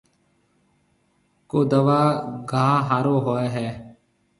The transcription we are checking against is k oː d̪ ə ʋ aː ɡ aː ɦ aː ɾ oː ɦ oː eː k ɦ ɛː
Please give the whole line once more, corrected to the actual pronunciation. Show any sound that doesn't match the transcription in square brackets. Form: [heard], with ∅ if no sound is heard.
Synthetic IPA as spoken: k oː d̪ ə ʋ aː ɡ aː ɦ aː ɾ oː ɦ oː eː [∅] ɦ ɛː